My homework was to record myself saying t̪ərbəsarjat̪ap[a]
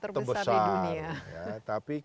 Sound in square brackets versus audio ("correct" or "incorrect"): incorrect